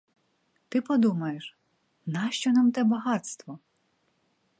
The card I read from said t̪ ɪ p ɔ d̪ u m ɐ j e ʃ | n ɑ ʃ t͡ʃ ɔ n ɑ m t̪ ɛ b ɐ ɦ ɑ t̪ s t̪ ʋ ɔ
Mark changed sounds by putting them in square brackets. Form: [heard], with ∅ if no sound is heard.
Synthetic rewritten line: t̪ ɪ p ɔ d̪ u m ɐ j e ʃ | n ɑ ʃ t͡ʃ ɔ n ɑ m t̪ ɛ b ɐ ɦ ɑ t̪ s t̪ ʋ ɔ